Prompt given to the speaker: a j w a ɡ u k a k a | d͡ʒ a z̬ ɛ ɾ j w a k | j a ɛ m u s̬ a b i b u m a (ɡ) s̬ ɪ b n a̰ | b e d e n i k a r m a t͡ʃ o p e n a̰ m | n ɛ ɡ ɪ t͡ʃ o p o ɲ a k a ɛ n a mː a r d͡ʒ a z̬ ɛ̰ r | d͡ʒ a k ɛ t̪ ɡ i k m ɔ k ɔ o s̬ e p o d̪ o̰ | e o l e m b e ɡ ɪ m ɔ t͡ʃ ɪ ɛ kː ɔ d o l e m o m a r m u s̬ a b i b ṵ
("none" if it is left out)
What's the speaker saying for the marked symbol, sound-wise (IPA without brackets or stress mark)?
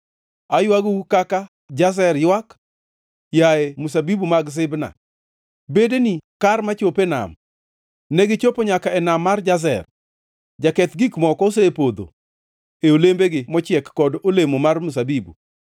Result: ɡ